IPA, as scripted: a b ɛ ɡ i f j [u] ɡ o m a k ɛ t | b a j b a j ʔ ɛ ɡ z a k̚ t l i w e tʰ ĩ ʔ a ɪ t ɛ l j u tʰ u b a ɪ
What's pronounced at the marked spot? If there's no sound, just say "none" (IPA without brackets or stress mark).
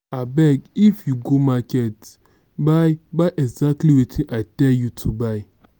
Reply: u